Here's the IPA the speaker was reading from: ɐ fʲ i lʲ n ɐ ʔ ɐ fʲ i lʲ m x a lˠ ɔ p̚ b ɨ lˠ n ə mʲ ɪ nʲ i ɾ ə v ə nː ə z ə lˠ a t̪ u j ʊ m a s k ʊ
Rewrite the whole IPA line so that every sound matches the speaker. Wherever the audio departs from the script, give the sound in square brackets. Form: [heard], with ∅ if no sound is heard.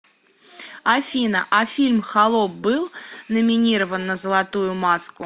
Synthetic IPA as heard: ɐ fʲ i [∅] n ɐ ʔ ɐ fʲ i lʲ m x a lˠ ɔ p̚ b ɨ lˠ n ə mʲ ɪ nʲ i ɾ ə v ə nː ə z ə lˠ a t̪ u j ʊ m a s k ʊ